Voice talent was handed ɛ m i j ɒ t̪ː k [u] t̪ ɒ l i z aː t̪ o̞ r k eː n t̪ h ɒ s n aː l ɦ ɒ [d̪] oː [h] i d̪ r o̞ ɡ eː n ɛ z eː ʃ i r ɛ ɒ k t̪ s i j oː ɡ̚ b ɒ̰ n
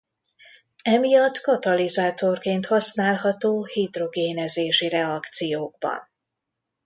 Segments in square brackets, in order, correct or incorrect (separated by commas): incorrect, incorrect, correct